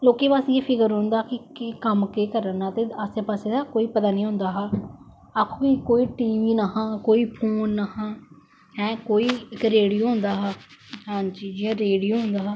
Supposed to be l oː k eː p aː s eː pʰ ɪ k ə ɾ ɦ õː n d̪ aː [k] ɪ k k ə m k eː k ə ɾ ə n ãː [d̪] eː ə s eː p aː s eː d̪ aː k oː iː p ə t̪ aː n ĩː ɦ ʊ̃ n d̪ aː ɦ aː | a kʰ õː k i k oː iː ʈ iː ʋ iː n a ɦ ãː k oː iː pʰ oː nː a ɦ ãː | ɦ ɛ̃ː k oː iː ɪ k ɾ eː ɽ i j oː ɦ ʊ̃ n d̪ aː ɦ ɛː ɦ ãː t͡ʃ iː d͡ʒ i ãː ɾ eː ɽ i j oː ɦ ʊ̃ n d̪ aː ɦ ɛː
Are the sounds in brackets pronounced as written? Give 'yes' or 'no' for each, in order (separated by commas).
yes, no